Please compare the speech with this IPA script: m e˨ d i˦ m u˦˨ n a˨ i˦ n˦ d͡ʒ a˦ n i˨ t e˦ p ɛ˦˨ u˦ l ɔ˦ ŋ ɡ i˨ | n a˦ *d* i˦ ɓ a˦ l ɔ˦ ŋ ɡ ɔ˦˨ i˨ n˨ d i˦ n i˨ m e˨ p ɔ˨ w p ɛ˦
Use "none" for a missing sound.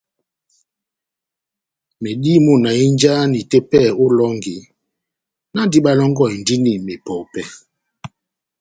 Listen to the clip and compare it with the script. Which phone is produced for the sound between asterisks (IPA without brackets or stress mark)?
d